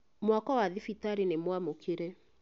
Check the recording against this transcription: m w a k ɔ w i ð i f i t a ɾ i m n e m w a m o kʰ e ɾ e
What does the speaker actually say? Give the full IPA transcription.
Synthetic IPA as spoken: m w a k ɔ w a ð i f i t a ɾ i n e m w a m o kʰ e ɾ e